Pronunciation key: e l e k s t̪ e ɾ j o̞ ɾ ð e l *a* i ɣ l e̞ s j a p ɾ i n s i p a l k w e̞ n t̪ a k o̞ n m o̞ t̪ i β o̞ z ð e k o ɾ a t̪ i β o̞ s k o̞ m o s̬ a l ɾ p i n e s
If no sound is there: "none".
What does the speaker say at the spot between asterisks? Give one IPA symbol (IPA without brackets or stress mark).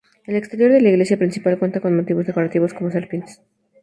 a